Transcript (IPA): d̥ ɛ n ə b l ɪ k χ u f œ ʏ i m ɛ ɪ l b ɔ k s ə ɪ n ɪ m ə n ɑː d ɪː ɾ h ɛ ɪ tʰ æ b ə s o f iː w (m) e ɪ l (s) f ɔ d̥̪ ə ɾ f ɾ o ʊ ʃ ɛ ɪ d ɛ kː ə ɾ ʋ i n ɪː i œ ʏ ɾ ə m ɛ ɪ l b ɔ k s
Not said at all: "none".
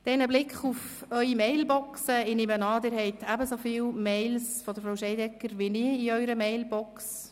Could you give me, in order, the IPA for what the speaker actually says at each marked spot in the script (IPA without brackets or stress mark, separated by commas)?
m, s